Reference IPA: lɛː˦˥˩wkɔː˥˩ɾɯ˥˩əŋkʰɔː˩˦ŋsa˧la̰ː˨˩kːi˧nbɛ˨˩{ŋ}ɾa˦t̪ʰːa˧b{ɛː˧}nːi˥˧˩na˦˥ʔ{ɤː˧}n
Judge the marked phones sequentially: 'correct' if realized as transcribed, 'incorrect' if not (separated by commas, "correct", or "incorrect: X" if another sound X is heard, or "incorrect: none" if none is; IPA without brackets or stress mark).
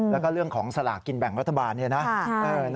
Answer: correct, incorrect: aː˧, correct